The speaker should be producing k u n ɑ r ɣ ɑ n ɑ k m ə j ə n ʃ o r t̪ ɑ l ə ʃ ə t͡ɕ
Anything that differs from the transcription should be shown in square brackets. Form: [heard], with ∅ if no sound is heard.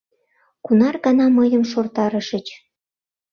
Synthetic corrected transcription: k u n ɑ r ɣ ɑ n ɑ [∅] m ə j ə [m] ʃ o r t̪ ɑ [ɾ] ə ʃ ə t͡ɕ